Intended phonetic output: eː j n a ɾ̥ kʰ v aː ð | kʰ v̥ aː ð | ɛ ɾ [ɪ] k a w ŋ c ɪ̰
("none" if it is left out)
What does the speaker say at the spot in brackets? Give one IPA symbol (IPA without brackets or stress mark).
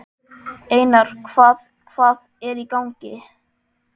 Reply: i